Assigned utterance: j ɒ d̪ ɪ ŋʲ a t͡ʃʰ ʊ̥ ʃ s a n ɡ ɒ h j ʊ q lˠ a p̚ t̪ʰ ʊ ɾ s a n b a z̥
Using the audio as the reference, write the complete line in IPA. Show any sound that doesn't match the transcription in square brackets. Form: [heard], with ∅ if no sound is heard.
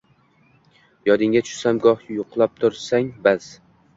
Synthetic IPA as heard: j ɒ d̪ ɪ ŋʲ a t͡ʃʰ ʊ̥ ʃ s a [m] ɡ ɒ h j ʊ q lˠ a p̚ t̪ʰ ʊ ɾ s a [ŋ] b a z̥